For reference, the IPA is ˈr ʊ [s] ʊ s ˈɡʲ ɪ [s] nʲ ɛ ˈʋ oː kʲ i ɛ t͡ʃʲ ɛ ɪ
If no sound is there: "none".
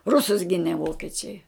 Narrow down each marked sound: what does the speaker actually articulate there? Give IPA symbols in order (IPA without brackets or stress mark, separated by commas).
s, none